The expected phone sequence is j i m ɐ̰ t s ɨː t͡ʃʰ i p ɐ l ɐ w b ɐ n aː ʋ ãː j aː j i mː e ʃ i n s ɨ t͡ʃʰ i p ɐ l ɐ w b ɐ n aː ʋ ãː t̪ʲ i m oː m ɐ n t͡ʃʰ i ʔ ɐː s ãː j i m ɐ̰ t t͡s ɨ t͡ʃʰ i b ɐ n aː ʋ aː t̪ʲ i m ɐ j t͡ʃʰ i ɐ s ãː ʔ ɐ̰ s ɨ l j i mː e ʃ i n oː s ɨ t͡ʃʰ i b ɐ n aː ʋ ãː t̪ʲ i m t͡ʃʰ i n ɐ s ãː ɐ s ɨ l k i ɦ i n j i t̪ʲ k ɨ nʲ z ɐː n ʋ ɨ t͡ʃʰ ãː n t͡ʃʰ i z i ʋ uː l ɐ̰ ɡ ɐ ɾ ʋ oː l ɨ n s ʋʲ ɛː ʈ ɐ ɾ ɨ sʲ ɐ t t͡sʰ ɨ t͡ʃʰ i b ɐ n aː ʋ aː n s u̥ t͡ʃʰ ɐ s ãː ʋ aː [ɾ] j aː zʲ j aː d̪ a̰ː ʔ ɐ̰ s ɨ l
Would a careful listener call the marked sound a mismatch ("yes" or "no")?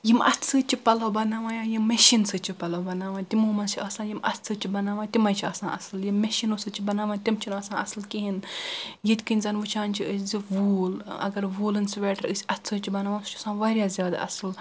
no